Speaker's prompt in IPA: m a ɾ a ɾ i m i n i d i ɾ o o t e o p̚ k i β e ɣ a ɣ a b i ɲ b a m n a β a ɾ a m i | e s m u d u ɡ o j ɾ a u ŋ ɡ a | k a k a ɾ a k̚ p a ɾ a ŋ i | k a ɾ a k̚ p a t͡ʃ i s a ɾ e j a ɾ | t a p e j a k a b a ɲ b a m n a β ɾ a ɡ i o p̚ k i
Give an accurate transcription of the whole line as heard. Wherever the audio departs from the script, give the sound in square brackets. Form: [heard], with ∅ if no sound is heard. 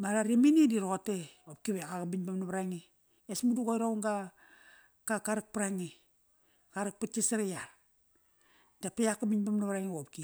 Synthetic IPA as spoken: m a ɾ a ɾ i m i n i d i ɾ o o t e o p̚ k i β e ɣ a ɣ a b i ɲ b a m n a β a ɾ a [ŋ] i | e s m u d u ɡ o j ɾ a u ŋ ɡ a | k a k a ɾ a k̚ p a ɾ a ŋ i | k a ɾ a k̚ p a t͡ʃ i s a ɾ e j a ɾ | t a p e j a k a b [i] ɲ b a m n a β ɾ a [ŋ] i o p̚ k i